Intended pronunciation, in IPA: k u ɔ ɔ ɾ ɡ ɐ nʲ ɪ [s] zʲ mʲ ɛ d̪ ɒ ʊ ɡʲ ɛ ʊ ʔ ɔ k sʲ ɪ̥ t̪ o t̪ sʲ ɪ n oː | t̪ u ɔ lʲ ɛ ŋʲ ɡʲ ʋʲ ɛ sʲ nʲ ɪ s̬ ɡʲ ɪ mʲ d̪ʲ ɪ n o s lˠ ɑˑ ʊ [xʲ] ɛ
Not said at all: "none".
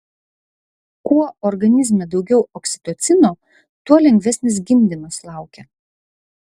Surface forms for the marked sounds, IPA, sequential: none, kʲ

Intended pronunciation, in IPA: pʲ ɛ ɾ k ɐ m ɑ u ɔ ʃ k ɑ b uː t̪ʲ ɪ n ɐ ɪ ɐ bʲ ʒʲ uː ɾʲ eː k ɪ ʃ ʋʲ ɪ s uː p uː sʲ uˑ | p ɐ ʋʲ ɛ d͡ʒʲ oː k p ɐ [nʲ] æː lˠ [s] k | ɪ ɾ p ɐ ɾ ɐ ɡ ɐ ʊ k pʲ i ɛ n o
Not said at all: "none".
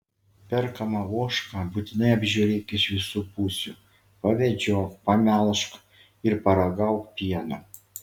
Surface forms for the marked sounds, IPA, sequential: mʲ, ʃ

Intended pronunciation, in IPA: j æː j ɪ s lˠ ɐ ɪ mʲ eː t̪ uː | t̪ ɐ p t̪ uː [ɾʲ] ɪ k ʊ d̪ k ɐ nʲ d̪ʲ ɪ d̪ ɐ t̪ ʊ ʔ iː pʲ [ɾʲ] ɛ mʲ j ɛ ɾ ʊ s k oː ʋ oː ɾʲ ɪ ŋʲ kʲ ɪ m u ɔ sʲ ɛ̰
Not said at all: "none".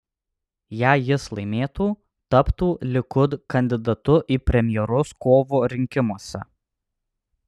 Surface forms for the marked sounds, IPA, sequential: lʲ, ɾʲ

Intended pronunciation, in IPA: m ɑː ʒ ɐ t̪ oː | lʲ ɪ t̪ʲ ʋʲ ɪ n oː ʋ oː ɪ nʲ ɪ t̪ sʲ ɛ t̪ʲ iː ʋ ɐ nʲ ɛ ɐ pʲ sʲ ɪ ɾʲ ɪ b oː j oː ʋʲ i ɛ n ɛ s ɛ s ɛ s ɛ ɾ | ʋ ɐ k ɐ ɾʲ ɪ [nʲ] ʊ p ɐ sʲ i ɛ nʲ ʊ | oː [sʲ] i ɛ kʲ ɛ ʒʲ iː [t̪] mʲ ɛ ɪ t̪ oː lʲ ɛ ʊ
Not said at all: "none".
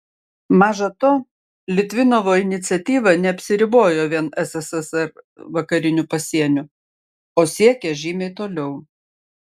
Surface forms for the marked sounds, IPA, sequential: nʲ, sʲ, none

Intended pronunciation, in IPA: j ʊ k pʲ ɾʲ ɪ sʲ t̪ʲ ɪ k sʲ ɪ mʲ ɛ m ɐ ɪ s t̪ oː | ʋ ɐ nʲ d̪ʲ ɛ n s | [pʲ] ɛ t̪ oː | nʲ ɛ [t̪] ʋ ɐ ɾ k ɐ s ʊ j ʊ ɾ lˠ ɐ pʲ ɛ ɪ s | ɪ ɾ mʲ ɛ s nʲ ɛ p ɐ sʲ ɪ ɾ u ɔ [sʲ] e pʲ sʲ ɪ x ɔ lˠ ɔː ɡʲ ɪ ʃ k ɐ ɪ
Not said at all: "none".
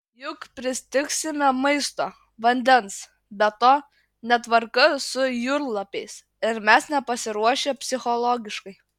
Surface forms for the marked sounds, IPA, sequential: bʲ, t̪, ʃʲ

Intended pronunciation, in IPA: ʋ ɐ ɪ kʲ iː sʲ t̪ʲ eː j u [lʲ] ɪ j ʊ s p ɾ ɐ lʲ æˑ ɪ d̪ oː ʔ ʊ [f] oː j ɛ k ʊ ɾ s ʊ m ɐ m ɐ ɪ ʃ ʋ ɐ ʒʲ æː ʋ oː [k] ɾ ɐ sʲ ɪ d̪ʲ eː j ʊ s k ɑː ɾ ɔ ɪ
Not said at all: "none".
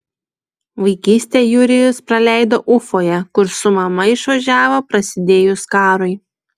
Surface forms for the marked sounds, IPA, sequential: ɾʲ, f, p

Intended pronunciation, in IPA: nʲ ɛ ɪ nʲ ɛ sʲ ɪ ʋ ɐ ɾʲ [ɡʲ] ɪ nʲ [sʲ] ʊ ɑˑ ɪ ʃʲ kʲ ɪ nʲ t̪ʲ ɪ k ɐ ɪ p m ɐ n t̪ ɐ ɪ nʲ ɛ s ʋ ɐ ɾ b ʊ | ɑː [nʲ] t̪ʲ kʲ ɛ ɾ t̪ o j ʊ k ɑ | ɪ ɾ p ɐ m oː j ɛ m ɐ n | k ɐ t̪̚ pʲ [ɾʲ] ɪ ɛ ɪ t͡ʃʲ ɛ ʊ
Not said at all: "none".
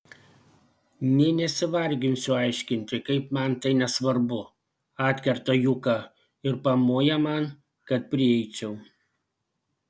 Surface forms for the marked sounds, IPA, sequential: ɡʲ, sʲ, none, ɾʲ

